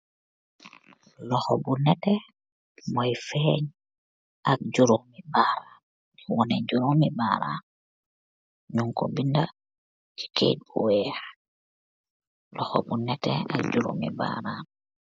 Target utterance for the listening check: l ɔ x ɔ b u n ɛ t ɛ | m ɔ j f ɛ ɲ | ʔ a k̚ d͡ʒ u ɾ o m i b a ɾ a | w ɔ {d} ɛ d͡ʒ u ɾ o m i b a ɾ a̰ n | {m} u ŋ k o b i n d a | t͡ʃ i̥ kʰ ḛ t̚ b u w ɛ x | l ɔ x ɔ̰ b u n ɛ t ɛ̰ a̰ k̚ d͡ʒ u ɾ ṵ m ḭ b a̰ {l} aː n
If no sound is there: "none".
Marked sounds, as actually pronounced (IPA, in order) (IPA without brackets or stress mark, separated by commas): n, ɲ, ɾ